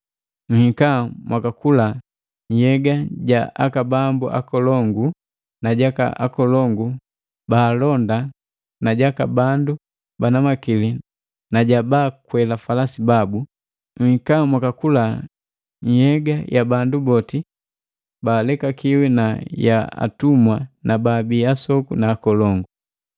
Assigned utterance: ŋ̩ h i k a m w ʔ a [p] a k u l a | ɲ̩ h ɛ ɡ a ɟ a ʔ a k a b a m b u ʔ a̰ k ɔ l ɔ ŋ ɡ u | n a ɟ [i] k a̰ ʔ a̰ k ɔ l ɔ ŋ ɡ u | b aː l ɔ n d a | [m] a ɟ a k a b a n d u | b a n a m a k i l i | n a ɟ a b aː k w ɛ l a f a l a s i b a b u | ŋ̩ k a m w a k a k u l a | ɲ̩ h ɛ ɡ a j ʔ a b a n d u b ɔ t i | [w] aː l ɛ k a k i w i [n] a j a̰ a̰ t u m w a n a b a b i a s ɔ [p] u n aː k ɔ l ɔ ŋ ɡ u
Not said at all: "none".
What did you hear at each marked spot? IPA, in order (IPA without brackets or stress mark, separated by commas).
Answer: k, a, n, b, n, k